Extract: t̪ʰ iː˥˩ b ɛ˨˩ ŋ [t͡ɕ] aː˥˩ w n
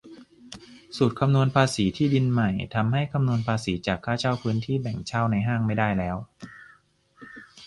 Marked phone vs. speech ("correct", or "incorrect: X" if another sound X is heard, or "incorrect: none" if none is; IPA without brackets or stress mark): incorrect: t͡ɕʰ